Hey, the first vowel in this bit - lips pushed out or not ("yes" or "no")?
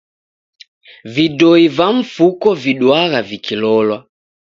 no